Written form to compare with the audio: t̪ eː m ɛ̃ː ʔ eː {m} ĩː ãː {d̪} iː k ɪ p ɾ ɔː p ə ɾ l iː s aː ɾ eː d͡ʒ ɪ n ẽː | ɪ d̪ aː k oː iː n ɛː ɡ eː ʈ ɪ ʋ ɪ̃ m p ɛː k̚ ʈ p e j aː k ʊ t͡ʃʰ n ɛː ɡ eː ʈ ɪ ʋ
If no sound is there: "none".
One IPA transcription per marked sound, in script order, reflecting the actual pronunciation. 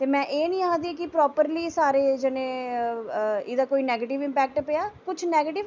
n, d̪

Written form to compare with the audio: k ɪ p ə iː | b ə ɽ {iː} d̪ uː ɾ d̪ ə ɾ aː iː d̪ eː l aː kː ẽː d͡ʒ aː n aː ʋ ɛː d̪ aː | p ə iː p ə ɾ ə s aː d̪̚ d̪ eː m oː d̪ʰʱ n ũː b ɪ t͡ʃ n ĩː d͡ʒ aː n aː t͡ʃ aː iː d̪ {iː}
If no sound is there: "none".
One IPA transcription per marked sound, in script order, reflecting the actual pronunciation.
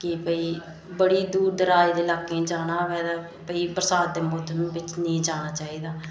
iː, aː

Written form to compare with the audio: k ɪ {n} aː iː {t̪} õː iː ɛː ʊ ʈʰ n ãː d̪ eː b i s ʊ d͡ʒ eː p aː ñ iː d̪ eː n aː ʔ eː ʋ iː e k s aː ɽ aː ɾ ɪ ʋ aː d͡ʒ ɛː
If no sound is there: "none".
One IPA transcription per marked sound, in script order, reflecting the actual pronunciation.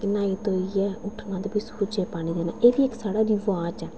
n, t̪

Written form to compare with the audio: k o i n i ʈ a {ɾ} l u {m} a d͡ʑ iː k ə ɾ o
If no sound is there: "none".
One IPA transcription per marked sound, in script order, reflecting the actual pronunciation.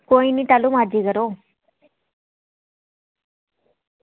none, m

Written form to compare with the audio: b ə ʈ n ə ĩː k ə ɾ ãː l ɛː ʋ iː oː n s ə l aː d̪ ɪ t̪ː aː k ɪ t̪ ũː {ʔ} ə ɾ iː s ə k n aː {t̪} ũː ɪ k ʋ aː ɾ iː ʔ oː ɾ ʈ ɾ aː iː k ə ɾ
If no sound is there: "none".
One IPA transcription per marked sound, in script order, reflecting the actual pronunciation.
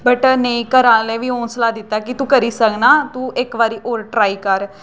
k, t̪

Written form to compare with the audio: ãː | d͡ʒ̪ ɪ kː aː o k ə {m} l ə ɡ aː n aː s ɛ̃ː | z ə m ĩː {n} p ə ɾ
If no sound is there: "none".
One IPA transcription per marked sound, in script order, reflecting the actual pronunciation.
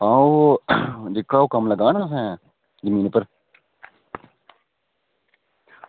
m, n

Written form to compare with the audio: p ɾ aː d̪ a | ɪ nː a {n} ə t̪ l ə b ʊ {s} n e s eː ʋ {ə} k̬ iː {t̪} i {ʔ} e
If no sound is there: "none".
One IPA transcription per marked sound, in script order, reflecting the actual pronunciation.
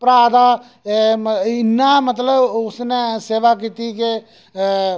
m, s, a, t̪, k

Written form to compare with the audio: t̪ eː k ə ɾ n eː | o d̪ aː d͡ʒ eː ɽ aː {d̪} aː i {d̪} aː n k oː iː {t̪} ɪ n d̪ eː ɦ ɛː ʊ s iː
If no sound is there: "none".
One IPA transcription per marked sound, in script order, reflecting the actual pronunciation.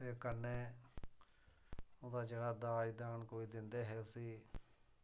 d̪, d̪, d̪

